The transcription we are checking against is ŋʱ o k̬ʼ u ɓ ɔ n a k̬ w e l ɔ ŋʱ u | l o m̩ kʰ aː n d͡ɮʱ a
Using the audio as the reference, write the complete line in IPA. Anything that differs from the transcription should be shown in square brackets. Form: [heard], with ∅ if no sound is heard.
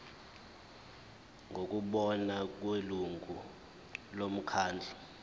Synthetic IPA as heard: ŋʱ o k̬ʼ u ɓ ɔ n a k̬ w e l [u] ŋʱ u | l o m̩ kʰ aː n d͡ɮʱ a

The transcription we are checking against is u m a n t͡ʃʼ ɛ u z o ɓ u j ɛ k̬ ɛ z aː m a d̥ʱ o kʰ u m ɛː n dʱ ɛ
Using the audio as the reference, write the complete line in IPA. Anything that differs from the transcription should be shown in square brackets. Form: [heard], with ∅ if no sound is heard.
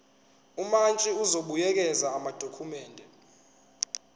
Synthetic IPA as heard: u m a n t͡ʃʼ [i] u z o ɓ u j ɛ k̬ ɛ z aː m a d̥ʱ o kʰ u m ɛː n dʱ ɛ

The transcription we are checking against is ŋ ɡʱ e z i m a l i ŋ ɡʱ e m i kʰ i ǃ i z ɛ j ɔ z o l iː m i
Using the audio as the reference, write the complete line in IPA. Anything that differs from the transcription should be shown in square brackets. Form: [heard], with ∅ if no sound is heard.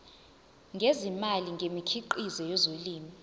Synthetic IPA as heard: ŋ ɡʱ e z i m a l i ŋ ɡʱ e m i kʰ i ǃ i z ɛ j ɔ z o l iː m i

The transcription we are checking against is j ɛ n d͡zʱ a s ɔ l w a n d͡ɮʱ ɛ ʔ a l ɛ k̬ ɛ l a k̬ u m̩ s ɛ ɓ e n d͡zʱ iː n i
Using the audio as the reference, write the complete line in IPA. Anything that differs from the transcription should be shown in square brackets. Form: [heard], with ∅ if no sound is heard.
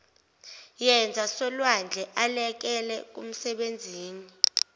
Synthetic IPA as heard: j ɛ n d͡zʱ a s ɔ l w a n d͡ɮʱ ɛ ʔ a l ɛ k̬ ɛ l [ɛ] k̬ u m̩ s ɛ ɓ e n d͡zʱ iː n i

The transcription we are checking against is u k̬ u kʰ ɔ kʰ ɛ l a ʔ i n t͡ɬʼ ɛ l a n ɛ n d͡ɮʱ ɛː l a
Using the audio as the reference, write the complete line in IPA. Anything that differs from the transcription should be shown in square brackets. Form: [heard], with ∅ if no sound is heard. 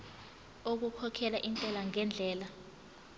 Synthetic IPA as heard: [o] k̬ u kʰ ɔ kʰ ɛ l a ʔ i n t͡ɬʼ ɛ l a [ŋ] ɛ n d͡ɮʱ ɛː l a

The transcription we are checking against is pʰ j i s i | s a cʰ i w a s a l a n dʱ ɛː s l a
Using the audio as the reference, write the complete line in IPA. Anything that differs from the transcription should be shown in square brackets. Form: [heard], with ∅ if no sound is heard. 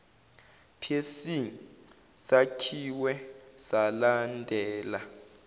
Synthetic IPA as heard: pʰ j [e] s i | s a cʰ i w [ɛ] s a l a n dʱ ɛː [∅] l a

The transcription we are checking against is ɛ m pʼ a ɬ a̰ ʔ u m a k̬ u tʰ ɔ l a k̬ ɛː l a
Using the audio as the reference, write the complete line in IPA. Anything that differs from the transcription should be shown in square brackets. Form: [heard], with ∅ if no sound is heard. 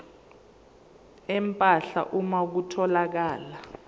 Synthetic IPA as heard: ɛ m pʼ a ɬ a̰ ʔ u m a k̬ u tʰ ɔ l a k̬ [aː] l a

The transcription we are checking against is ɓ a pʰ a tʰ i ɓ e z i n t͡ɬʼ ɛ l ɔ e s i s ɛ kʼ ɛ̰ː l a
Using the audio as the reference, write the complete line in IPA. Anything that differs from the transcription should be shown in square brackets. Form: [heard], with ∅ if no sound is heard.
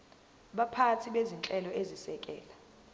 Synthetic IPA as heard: ɓ a pʰ a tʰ i ɓ e z i n t͡ɬʼ ɛ l ɔ e [z] i s ɛ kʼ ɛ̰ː l a

